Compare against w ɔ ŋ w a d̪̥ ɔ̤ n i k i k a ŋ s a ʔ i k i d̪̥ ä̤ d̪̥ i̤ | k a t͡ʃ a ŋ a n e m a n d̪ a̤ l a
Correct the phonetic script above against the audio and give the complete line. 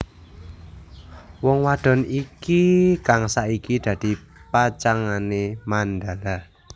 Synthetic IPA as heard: w ɔ ŋ w a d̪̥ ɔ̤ n i k i k a ŋ s a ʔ i k i d̪̥ ä̤ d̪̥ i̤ | p a t͡ʃ a ŋ a n e m a n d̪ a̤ l a